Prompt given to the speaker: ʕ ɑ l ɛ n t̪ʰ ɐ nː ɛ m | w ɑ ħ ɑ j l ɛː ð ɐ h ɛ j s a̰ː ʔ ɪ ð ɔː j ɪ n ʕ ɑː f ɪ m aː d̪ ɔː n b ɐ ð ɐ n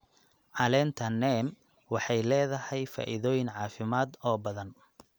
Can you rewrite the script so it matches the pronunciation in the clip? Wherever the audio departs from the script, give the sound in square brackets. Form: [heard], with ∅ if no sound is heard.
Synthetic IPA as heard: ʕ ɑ l ɛ n t̪ʰ ɐ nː ɛ m | w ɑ ħ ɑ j l ɛː ð ɐ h ɛ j [f] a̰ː ʔ ɪ ð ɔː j ɪ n ʕ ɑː f ɪ m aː d̪ ɔː [∅] b ɐ ð ɐ n

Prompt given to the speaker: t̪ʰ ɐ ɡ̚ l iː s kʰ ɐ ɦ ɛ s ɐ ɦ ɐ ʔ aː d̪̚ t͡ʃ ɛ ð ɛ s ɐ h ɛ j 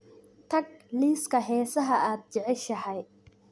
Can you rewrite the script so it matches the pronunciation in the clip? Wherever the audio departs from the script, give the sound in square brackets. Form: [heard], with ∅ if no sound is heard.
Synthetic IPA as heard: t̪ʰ ɐ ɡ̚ l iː s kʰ ɐ ɦ [ɛː] s ɐ ɦ ɐ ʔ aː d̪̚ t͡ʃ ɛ [ʕ] ɛ [ʃ] ɐ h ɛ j

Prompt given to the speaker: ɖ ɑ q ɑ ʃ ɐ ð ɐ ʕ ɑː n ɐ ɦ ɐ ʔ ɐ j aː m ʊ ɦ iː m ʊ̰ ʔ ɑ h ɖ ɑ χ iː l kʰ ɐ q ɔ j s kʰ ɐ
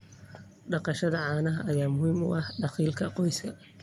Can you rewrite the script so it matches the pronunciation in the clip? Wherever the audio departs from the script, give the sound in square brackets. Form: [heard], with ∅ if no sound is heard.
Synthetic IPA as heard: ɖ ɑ q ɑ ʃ ɐ ð ɐ ʕ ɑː n ɐ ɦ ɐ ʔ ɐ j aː m ʊ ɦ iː m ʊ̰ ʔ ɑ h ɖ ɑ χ iː l kʰ ɐ q ɔ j s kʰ ɐ

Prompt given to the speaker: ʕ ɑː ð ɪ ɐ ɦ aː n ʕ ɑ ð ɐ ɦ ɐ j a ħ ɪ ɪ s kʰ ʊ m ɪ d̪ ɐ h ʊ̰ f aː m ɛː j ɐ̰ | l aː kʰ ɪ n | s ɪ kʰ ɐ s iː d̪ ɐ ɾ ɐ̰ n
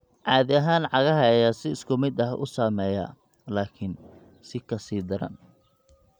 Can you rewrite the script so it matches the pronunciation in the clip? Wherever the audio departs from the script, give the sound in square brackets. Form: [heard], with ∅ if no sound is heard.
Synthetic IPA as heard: ʕ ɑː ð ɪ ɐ ɦ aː n ʕ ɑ [ɣ] ɐ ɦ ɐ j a [s] ɪ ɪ s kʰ ʊ m ɪ d̪ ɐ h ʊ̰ [s] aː m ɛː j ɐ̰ | l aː kʰ ɪ n | s ɪ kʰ ɐ s iː d̪ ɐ ɾ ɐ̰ n

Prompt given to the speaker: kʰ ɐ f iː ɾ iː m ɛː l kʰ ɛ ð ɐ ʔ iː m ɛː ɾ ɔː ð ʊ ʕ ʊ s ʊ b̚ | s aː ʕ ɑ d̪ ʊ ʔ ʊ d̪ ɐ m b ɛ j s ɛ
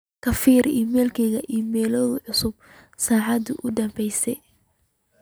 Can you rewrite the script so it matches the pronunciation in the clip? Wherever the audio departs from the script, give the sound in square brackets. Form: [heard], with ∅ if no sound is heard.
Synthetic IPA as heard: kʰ ɐ f iː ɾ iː m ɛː l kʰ ɛ [ɣ] ɐ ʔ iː m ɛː [l] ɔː ð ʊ ʕ ʊ s ʊ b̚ | s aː ʕ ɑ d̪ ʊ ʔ ʊ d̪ ɐ m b ɛ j s ɛ

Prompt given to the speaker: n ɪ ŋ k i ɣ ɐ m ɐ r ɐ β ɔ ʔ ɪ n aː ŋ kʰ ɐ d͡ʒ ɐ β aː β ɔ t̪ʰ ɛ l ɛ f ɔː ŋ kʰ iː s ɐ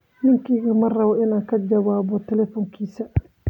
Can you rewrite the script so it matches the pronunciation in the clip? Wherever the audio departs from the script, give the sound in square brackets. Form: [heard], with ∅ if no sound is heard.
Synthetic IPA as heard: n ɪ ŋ k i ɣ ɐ m ɐ r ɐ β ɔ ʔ ɪ n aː ŋ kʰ ɐ d͡ʒ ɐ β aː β ɔ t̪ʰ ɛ l ɛ f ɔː ŋ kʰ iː s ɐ

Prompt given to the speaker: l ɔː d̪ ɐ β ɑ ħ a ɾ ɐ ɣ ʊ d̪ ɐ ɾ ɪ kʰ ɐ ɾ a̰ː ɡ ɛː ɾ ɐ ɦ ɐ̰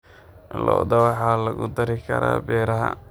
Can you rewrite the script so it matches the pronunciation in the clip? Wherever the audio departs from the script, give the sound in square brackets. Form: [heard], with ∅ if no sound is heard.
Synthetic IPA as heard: l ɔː d̪ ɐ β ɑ ħ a [l] ɐ ɣ ʊ d̪ ɐ ɾ ɪ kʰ ɐ ɾ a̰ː [b] ɛː ɾ ɐ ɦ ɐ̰

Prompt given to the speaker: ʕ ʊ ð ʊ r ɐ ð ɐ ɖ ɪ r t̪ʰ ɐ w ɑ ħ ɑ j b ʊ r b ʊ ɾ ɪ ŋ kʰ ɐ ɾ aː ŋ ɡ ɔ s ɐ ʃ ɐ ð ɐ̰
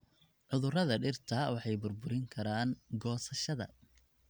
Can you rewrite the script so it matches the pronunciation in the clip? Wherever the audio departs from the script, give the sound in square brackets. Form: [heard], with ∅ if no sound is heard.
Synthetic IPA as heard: ʕ ʊ ð ʊ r ɐ ð ɐ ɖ ɪ r t̪ʰ ɐ w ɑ ħ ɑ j b ʊ r b ʊ ɾ ɪ ŋ kʰ ɐ ɾ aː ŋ ɡ [ɔː] s ɐ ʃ ɐ ð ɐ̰

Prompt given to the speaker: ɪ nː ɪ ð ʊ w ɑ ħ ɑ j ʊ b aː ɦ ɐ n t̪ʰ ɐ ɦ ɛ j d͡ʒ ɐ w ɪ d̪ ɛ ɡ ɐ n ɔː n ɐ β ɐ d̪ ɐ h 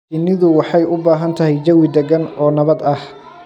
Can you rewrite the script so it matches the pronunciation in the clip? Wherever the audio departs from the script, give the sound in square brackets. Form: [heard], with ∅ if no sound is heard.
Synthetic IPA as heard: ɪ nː ɪ ð ʊ w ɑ ħ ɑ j ʊ b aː ɦ ɐ n t̪ʰ ɐ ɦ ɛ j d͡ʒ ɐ w ɪ d̪ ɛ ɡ ɐ n ɔː n ɐ β ɐ d̪ ɐ h

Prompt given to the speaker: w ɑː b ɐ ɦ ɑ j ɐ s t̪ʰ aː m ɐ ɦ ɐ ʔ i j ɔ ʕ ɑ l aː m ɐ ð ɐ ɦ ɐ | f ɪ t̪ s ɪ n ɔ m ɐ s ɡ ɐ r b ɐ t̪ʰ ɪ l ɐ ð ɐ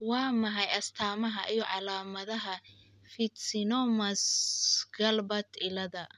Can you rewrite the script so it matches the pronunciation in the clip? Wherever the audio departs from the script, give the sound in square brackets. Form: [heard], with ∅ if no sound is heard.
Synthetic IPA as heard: w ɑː [m] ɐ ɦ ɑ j ɐ s t̪ʰ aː m ɐ ɦ ɐ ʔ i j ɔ ʕ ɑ l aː m ɐ ð ɐ ɦ ɐ | f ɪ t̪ s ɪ n ɔ m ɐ s ɡ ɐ [l] b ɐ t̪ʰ ɪ l ɐ ð ɐ

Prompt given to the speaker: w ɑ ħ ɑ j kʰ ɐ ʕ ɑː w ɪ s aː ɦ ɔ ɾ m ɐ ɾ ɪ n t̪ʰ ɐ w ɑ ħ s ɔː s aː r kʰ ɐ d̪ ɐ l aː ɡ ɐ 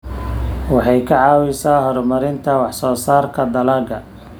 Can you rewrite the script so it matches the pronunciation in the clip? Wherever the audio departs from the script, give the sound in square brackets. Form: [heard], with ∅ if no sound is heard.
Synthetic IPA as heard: w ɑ ħ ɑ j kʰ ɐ ʕ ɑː w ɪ s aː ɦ ɔ ɾ m ɐ ɾ ɪ n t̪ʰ ɐ w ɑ ħ s ɔː s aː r kʰ ɐ d̪ ɐ l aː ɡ ɐ

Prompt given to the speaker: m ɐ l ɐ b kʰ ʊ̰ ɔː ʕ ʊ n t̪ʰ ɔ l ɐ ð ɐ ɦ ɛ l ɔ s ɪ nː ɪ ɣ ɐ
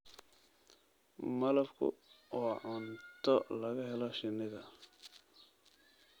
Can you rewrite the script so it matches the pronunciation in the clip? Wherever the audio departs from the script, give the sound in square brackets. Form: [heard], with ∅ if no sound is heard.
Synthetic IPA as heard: m ɐ l ɐ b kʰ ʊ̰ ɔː ʕ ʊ n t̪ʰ ɔ l ɐ [ɣ] ɐ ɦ ɛ l ɔ [ʃ] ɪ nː ɪ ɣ ɐ

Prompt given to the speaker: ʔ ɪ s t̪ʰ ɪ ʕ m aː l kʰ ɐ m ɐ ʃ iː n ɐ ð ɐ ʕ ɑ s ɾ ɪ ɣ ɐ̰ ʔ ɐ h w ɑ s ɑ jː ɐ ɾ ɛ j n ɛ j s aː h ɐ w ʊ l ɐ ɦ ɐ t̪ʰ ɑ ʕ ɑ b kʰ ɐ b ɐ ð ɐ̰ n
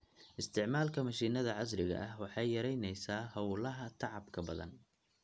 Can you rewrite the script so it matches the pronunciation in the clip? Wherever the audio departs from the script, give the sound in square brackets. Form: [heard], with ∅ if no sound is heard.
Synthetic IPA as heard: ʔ ɪ s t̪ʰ ɪ ʕ m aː l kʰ ɐ m ɐ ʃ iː n ɐ ð ɐ ʕ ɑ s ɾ ɪ ɣ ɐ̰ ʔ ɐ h w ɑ [ħ] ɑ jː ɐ ɾ ɛ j n ɛ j s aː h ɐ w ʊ l ɐ ɦ ɐ t̪ʰ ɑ ʕ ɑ b kʰ ɐ b ɐ ð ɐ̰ n

